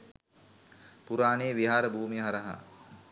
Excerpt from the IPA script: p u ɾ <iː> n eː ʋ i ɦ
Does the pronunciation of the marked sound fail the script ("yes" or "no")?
yes